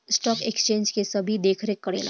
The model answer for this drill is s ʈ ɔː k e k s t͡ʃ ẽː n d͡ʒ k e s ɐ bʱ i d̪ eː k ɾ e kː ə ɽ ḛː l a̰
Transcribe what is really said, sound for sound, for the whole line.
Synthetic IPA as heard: s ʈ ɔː k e k s t͡ʃ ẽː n d͡ʒ k e s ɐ bʱ i d̪ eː kʰ ɾ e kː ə ɽ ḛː l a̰